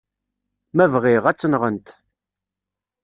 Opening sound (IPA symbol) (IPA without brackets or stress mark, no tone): m